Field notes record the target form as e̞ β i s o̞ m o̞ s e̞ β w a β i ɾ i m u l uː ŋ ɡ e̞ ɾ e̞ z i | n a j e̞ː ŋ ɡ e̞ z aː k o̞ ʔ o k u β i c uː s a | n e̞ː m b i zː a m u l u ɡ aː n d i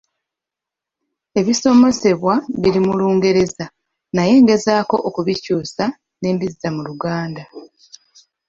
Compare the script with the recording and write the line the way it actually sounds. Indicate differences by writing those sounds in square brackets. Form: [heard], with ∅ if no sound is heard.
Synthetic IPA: e̞ β i s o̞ m o̞ s e̞ β w a β i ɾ i m u l uː ŋ ɡ e̞ ɾ e̞ z [a] | n a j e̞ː ŋ ɡ e̞ z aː k o̞ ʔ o k u β i c uː s a | n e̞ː m b i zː a m u l u ɡ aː n d [a]